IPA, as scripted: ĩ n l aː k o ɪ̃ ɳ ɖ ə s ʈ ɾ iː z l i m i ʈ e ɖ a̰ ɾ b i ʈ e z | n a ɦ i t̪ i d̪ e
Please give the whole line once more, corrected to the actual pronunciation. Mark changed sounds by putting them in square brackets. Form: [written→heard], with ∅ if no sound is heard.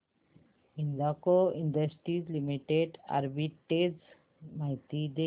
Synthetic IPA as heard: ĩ n l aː k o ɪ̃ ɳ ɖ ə s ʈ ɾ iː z l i m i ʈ e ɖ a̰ ɾ b i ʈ e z | [n→m] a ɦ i t̪ i d̪ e